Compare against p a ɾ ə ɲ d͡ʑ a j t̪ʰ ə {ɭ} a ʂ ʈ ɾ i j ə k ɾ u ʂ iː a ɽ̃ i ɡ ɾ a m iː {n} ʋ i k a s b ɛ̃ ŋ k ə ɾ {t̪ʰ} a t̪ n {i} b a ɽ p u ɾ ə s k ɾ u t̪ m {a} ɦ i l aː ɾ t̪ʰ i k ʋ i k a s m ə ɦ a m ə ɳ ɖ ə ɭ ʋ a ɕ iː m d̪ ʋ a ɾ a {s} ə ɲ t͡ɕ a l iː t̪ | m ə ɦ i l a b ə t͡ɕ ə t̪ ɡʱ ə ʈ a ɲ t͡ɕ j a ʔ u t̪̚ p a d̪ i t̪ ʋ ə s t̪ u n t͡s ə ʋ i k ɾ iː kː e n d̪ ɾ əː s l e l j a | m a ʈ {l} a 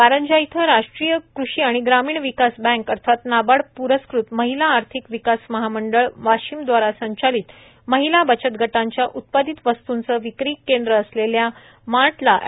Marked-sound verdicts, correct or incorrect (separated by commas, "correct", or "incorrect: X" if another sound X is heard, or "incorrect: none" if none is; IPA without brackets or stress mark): incorrect: ɾ, incorrect: ɳ, correct, incorrect: a, incorrect: ə, correct, correct